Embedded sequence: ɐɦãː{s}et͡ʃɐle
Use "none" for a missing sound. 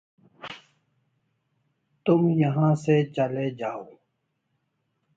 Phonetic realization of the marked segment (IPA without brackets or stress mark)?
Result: s